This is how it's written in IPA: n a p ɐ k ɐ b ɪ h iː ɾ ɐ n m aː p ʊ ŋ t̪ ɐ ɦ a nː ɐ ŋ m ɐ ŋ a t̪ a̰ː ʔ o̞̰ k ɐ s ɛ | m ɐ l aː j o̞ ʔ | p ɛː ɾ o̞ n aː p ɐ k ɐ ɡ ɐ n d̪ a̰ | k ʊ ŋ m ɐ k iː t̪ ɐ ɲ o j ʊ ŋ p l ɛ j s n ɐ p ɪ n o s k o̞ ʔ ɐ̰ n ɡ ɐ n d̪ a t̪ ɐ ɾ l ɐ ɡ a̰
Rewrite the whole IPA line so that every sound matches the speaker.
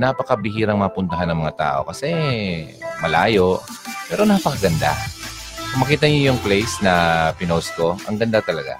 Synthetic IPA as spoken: n a p ɐ k ɐ b ɪ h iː ɾ ɐ ŋ m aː p ʊ n t̪ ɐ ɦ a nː ɐ ŋ m ɐ ŋ a t̪ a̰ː ʔ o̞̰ k ɐ s ɛ | m ɐ l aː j o̞ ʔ | p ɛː ɾ o̞ n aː p ɐ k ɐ ɡ ɐ n d̪ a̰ | k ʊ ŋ m ɐ k iː t̪ ɐ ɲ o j ʊ ŋ p l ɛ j s n ɐ p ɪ n o s k o̞ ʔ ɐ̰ ŋ ɡ ɐ n d̪ a t̪ ɐ l ɐ ɡ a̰